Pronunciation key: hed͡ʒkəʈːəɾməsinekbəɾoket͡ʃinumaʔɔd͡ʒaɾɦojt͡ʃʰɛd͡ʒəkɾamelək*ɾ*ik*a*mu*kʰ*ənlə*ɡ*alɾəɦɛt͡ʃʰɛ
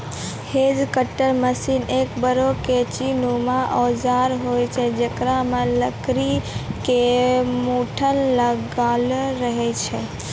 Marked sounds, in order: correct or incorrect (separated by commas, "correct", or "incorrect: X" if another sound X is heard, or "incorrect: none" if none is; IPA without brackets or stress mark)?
correct, incorrect: e, incorrect: ʈʰ, correct